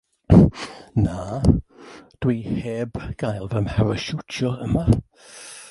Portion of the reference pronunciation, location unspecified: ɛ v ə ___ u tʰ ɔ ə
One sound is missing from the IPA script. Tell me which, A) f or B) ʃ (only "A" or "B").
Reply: B